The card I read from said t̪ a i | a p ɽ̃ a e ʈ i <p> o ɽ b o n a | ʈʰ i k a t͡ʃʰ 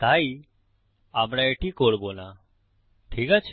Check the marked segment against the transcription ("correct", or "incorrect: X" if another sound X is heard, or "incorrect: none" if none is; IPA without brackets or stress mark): incorrect: k